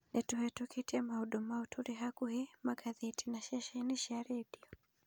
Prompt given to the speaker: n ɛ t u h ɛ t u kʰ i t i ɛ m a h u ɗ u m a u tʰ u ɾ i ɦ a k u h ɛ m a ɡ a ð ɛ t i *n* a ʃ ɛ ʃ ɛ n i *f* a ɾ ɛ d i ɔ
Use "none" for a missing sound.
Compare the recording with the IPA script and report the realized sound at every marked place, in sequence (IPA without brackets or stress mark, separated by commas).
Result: n, ʃ